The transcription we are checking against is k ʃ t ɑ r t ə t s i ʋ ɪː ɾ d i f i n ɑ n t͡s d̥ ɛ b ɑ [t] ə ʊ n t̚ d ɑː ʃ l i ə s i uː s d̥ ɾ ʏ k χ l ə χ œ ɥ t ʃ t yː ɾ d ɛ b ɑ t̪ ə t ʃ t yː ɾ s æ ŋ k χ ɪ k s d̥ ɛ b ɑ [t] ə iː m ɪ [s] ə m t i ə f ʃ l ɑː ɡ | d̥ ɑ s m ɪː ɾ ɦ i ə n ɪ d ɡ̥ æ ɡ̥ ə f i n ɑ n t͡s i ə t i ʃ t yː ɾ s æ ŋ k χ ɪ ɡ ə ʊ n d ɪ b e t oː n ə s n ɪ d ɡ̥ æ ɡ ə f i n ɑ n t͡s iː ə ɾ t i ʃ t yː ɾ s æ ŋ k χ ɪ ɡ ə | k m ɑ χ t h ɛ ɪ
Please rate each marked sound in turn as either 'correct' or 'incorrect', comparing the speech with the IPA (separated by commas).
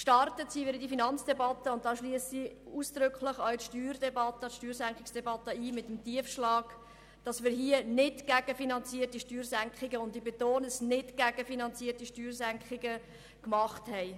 correct, correct, incorrect